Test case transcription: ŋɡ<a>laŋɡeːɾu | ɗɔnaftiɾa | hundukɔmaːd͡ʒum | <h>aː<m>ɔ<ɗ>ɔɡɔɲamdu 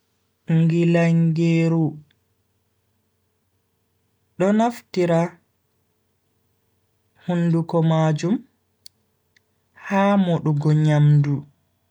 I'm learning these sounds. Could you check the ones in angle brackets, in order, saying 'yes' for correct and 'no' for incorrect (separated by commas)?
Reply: no, yes, yes, yes